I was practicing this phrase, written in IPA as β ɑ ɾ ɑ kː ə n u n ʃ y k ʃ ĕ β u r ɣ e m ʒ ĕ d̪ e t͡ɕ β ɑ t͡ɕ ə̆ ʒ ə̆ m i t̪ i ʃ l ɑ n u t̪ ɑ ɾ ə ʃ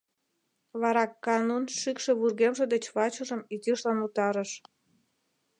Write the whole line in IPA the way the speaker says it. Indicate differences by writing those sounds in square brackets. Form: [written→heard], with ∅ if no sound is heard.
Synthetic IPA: β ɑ ɾ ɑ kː [ə→ɑ] n u n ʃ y k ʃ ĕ β u r ɣ e m ʒ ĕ d̪ e t͡ɕ β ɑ t͡ɕ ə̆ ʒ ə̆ m i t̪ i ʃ l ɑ n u t̪ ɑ ɾ ə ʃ